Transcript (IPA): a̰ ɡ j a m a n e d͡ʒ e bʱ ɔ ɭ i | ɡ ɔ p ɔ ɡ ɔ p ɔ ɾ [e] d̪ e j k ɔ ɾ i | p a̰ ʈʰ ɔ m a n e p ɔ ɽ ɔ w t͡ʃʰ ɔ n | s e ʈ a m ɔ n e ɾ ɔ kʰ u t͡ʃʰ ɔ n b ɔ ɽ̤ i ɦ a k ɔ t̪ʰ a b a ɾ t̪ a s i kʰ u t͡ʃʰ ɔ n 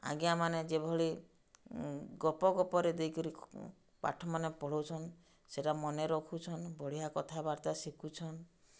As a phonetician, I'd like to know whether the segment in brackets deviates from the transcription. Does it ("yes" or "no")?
no